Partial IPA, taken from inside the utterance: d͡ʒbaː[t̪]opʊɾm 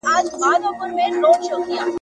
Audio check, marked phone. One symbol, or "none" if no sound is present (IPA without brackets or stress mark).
d̪